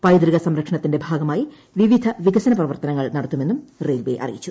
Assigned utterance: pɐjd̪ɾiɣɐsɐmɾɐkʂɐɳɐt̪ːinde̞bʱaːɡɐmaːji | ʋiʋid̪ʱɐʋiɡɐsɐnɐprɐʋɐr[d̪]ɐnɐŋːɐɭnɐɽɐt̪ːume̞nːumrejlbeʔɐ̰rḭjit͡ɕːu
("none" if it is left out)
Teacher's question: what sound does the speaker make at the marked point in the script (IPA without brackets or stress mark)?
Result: t̪